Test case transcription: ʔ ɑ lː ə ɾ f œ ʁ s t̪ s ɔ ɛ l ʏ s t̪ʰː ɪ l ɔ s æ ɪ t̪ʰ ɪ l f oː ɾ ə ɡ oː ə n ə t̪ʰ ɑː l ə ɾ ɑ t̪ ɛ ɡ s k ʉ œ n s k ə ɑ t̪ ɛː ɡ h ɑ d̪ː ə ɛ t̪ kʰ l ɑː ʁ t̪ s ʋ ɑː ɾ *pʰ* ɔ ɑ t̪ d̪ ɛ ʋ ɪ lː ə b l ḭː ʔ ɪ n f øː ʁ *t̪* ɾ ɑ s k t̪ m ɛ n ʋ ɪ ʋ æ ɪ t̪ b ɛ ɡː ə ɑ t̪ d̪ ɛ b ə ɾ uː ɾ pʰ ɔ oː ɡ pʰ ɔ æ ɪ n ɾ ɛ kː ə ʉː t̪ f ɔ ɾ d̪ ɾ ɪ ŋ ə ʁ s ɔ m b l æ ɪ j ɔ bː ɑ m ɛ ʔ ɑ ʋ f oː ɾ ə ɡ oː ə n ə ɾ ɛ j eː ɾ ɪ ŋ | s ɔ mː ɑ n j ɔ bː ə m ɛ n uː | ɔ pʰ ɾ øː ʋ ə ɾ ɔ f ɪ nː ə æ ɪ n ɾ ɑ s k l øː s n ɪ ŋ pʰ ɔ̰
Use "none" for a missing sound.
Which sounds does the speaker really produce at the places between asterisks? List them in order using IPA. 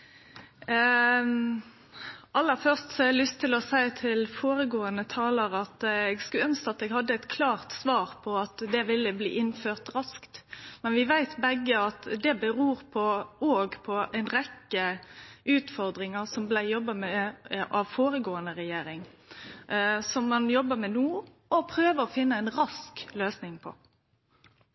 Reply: pʰ, t̪

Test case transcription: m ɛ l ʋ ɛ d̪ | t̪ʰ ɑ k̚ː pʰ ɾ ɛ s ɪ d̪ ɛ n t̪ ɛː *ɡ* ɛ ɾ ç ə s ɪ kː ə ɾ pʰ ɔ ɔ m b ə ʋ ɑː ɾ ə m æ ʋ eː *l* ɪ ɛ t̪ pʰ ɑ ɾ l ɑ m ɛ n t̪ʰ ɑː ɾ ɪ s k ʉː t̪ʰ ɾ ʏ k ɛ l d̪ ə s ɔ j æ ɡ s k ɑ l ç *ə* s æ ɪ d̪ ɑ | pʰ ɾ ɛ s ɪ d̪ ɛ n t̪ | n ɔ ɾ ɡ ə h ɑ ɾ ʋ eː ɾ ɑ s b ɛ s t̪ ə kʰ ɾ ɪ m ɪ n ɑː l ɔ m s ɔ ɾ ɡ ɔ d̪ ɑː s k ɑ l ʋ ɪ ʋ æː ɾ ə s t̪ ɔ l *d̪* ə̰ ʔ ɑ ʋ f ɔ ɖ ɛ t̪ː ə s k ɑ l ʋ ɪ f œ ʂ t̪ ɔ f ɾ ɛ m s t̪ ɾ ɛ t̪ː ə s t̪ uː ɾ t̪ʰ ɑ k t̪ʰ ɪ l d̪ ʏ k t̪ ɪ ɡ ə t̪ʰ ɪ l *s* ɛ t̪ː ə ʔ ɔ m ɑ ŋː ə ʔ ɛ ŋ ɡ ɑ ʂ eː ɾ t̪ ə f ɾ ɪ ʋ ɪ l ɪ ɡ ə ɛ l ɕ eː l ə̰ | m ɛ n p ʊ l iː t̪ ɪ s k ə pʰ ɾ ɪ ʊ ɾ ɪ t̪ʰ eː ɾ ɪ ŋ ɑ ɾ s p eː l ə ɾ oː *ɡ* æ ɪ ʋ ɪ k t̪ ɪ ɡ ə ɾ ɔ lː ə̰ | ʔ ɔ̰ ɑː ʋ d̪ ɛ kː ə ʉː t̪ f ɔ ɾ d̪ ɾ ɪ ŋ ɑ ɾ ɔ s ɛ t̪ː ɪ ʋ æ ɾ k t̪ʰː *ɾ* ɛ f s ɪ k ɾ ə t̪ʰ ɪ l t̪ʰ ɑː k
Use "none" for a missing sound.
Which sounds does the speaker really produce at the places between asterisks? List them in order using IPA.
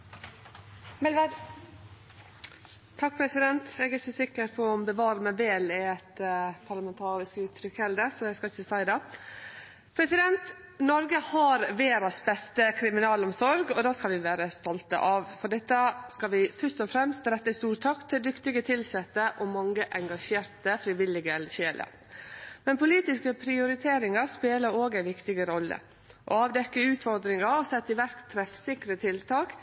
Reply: ɡ, l, ə, t̪, s, ɡ, ɾ

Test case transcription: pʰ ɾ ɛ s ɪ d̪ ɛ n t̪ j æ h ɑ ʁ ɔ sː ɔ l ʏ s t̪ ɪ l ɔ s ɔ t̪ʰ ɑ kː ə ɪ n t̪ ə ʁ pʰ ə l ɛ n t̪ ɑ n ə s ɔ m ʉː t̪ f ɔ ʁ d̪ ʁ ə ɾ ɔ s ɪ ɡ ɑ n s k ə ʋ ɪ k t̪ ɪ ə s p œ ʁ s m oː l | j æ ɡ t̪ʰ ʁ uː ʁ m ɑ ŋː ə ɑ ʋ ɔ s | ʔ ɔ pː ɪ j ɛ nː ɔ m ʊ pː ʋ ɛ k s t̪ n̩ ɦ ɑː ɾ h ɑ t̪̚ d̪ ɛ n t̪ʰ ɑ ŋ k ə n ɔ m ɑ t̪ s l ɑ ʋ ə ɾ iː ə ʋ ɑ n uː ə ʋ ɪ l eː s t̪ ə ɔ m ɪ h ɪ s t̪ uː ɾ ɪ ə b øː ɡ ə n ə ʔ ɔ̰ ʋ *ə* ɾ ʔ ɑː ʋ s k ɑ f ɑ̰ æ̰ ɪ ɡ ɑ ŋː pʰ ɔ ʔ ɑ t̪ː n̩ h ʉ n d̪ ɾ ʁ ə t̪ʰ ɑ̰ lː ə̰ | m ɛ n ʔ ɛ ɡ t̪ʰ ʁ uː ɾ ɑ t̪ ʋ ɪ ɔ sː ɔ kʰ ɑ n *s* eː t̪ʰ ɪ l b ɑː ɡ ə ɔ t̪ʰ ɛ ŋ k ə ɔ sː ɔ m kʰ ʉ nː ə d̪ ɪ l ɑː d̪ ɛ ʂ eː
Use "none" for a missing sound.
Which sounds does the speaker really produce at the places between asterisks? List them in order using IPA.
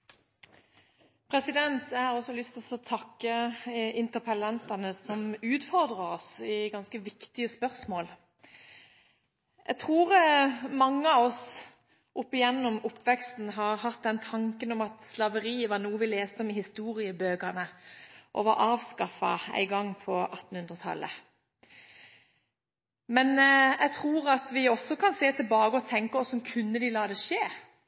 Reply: ɑ, s

